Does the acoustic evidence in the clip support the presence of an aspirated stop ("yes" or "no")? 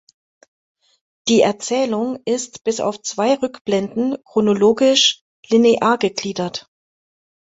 no